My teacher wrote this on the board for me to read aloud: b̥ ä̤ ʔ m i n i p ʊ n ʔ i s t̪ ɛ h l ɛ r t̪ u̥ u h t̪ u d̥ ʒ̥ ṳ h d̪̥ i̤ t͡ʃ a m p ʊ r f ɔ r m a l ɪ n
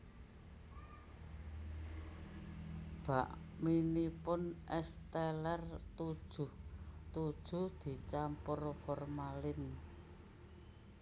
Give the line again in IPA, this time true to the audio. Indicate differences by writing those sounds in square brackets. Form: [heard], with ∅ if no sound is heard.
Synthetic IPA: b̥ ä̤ ʔ m i n i p ʊ n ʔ [ɛ] s t̪ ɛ [∅] l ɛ r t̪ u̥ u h t̪ u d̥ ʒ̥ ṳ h d̪̥ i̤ t͡ʃ a m p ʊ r f ɔ r m a l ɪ n